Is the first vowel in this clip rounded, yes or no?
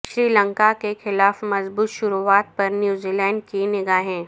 no